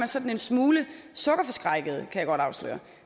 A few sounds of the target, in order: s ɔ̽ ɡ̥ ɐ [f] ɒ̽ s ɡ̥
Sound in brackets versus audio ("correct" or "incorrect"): correct